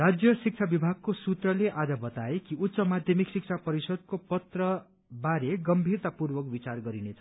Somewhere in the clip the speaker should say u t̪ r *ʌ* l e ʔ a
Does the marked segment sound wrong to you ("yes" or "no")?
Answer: no